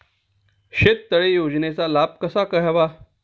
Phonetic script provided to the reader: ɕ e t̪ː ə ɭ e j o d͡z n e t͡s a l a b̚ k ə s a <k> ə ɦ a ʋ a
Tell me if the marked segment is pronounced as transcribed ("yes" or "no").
yes